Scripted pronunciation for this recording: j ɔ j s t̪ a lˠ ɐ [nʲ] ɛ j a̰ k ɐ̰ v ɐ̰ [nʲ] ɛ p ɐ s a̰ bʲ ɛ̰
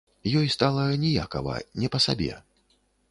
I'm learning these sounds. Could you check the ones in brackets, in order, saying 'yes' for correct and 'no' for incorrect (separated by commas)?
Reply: yes, yes